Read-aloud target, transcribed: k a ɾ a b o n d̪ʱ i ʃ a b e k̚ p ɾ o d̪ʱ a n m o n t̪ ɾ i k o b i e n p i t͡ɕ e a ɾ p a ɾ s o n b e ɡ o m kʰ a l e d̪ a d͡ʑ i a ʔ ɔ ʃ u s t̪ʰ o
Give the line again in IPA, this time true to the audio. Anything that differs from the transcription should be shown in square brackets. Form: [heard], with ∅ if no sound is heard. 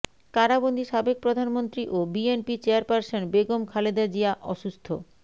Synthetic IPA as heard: k a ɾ a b o n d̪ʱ i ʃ a b e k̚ p ɾ o d̪ʱ a n m o n t̪ ɾ i [ʔ] o b i e n p i t͡ɕ e a ɾ p a ɾ s o n b e ɡ o m kʰ a l e d̪ a d͡ʑ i a ʔ ɔ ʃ u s t̪ʰ o